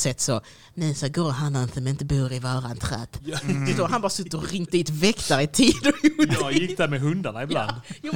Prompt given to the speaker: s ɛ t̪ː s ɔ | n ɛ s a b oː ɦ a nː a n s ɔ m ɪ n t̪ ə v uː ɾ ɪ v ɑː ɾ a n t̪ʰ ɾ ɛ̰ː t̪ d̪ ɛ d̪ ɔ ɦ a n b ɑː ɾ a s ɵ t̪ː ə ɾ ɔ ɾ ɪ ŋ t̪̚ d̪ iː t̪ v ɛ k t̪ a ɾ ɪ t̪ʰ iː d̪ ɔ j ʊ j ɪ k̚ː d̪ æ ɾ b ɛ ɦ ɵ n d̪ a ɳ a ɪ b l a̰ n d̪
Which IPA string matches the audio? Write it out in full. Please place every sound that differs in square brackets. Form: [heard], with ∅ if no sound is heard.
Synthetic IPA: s ɛ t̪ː s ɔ | n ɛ s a [ɡ] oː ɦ a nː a n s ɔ m ɪ n t̪ ə [b] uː ɾ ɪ v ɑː ɾ a n t̪ʰ ɾ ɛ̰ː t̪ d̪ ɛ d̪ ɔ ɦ a n b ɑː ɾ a s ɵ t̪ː ə ɾ ɔ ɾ ɪ ŋ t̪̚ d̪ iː t̪ v ɛ k t̪ a ɾ ɪ t̪ʰ iː d̪ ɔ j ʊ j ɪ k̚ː d̪ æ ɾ [m] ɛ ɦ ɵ n d̪ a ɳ a ɪ b l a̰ n d̪